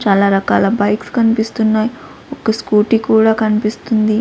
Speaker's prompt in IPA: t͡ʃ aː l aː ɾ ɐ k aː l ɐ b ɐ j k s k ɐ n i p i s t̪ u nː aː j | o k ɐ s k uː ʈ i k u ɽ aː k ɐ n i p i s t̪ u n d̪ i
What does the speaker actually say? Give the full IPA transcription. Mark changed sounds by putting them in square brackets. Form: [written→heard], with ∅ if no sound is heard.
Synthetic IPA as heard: t͡ʃ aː l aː ɾ ɐ k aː l ɐ b ɐ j k s k ɐ n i p i s t̪ u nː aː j | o k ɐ s k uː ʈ i k [u→uː] ɽ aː k ɐ n i p i s t̪ u n d̪ i